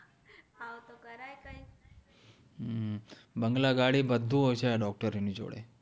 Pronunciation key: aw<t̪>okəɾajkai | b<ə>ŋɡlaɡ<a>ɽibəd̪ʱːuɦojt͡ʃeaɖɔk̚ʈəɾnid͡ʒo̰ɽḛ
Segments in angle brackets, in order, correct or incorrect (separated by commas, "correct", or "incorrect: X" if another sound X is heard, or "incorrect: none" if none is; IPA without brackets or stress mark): correct, correct, correct